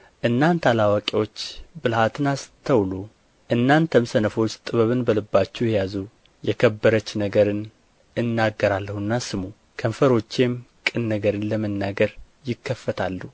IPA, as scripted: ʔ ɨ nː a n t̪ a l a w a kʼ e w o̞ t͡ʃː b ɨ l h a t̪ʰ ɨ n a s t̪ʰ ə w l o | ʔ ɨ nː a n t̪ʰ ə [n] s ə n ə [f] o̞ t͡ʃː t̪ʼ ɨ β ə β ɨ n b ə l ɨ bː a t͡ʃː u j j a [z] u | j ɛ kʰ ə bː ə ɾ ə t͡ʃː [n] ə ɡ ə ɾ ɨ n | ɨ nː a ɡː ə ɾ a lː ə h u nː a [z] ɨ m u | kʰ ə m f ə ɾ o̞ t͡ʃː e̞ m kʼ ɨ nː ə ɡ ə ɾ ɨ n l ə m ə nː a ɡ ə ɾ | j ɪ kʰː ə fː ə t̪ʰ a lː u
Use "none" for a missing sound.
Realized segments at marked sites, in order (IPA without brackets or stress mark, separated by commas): m, f, z, n, s